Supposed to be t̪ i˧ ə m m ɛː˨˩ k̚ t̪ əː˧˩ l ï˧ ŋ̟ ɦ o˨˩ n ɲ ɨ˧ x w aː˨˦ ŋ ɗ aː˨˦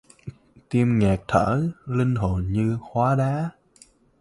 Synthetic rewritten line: t̪ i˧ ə m ŋ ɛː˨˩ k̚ t̪ʰ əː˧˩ l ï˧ ŋ̟ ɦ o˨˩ n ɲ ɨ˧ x w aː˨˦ ɗ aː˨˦